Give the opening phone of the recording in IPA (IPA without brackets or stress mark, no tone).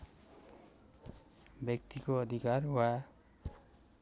b